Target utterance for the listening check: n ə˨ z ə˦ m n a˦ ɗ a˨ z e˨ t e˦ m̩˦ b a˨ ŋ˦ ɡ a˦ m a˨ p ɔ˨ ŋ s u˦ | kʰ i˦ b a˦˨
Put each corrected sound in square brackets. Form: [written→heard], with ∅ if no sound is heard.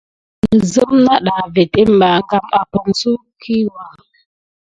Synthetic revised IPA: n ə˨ z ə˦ m n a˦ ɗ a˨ [z→v] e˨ t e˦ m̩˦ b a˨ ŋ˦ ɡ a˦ m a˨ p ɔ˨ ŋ s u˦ | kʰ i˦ [b→w] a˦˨

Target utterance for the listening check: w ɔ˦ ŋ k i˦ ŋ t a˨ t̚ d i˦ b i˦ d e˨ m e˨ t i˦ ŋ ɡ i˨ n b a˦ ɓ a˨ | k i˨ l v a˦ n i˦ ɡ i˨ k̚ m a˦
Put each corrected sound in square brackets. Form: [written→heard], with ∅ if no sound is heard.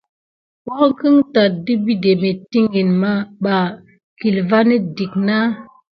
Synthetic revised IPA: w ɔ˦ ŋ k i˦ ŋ t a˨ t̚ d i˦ b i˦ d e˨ m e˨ t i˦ ŋ ɡ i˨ n [b→m] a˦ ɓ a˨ | k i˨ l v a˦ n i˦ [ɡ→d] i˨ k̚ [m→n] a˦

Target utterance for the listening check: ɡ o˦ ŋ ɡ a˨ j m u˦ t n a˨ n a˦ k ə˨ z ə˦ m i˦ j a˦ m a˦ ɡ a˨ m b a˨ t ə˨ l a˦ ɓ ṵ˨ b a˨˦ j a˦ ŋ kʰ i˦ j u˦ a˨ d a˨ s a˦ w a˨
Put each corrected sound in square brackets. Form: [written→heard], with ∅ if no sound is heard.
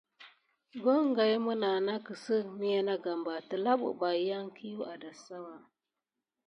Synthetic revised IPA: ɡ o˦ ŋ ɡ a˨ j m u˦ [t→∅] n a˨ n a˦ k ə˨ [z→s] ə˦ m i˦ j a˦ [m→n] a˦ ɡ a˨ m b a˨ t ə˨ l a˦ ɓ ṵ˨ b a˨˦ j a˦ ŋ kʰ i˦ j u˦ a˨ d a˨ s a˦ w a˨

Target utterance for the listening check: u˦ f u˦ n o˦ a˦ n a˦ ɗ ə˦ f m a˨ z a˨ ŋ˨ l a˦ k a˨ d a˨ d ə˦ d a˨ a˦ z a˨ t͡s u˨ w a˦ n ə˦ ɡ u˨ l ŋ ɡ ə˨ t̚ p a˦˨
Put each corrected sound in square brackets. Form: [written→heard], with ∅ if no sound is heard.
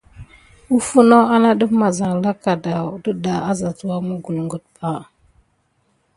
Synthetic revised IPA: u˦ f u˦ n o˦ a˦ n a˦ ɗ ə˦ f m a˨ z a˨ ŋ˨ l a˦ k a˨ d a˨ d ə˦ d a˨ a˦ z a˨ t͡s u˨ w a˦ [n→m] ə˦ ɡ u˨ l ŋ ɡ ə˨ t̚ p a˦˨

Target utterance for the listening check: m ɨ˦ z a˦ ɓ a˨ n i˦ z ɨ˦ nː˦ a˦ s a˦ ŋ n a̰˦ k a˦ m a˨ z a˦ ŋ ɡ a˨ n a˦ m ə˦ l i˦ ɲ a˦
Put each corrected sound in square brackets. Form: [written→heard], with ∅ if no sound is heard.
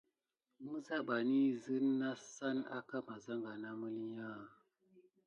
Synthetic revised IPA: m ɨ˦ z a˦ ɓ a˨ n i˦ z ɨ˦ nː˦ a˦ s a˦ [ŋ→∅] n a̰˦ k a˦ m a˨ z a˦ ŋ ɡ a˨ n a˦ m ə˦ l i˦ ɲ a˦

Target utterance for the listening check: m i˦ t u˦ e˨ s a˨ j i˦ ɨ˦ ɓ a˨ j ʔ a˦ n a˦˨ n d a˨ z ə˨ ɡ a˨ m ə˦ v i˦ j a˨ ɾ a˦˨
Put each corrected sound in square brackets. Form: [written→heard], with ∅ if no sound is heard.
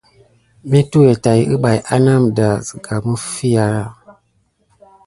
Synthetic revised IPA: m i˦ t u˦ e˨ [s→t] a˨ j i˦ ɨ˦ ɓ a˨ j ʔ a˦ n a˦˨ [n→m] d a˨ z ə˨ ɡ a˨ m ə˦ [v→f] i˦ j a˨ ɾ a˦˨

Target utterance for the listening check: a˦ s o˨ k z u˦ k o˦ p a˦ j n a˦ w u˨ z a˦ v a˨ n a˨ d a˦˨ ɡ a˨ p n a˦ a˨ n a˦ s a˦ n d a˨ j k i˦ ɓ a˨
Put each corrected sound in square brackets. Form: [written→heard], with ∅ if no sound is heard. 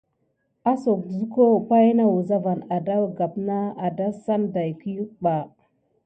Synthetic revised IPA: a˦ s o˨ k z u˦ k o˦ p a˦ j n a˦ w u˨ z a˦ v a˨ n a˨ d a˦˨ ɡ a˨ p n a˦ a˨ [n→d] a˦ s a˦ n d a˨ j k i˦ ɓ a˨

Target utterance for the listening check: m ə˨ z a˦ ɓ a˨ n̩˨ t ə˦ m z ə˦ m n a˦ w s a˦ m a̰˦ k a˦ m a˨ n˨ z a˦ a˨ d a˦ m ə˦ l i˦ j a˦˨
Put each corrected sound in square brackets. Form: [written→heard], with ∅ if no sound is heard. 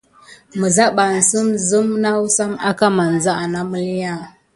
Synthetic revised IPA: m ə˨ z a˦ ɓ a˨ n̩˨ [t→s] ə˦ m z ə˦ m n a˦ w s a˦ m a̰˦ k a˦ m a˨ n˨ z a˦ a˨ [d→n] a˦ m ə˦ l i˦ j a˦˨

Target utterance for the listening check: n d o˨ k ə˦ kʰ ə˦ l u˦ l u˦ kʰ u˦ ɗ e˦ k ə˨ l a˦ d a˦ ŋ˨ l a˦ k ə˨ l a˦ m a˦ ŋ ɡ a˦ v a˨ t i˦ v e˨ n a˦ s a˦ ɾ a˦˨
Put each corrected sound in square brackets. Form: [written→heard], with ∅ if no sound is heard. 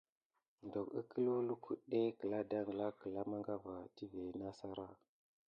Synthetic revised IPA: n d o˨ k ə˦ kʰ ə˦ l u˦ l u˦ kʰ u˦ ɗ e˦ k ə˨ l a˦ d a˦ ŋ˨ l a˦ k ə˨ l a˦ m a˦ ŋ ɡ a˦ v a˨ t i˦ v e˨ n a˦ s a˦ ɾ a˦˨

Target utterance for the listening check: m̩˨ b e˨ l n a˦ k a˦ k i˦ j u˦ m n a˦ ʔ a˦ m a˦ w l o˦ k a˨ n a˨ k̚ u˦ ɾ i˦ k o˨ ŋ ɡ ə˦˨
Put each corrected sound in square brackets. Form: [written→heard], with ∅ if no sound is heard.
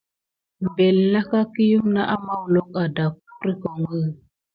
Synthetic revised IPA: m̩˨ b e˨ l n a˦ k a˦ k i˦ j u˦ m n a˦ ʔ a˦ m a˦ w l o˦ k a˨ [n→d] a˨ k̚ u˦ ɾ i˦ k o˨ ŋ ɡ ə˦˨

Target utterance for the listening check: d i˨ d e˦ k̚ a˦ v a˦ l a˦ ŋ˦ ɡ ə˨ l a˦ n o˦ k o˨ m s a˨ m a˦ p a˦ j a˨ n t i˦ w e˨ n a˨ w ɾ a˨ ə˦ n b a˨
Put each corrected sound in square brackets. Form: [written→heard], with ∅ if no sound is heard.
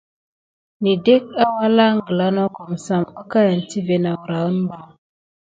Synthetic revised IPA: [d→n] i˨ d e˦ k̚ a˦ [v→w] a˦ l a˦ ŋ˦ ɡ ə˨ l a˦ n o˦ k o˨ m s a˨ m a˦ [p→k] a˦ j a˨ n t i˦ [w→v] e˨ n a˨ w ɾ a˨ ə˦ n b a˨

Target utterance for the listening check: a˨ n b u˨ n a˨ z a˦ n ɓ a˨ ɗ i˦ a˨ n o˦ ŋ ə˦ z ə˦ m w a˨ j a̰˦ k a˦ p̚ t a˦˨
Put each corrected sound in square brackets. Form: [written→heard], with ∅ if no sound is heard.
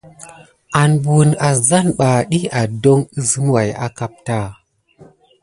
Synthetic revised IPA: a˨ n b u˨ n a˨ z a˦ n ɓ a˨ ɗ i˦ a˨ [n→d] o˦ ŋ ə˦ z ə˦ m w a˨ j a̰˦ k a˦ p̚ t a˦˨

